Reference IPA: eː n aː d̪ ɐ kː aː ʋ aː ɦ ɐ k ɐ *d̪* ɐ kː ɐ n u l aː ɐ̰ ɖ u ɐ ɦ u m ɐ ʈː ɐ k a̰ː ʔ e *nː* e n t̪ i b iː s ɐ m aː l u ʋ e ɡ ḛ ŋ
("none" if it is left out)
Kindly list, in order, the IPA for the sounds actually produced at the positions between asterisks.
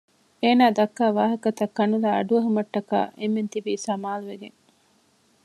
t̪, mː

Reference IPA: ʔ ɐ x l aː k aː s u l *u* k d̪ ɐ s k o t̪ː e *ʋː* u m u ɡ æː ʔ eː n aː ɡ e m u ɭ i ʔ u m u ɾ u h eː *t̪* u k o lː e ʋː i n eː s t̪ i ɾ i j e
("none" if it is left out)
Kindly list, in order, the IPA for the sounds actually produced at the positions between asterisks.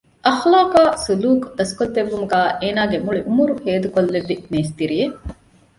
uː, ʋː, d̪

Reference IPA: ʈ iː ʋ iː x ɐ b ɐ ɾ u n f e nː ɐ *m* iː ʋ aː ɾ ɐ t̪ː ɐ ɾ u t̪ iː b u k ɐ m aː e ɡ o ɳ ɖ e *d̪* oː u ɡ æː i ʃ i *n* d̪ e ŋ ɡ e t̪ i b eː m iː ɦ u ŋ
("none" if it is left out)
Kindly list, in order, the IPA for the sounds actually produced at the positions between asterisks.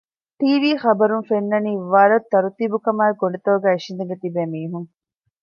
n, t̪, n

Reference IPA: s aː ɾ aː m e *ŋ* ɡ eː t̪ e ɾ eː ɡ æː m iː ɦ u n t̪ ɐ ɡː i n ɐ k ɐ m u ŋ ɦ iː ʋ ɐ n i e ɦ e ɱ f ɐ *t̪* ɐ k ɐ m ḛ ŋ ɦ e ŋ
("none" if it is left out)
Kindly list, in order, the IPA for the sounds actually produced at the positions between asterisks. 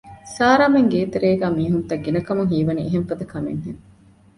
ŋ, d̪

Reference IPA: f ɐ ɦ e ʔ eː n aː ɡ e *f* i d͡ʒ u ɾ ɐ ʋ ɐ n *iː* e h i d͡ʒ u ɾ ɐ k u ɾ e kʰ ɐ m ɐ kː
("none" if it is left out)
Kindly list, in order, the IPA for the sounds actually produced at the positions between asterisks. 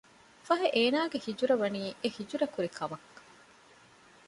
h, iː

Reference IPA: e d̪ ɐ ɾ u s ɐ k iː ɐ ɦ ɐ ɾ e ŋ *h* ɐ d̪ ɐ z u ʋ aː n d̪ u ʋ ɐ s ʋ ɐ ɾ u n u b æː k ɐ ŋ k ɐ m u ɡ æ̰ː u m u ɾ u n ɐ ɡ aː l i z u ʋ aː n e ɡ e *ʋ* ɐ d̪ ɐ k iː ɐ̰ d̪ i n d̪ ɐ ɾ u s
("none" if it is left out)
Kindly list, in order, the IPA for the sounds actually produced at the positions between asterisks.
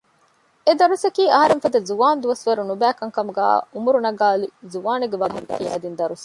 f, ʋ

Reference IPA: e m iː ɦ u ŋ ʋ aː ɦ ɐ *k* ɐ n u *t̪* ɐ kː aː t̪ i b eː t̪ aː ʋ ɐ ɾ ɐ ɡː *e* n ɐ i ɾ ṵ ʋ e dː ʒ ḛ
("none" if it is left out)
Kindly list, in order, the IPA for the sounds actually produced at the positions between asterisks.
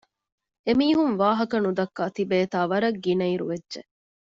k, d̪, i

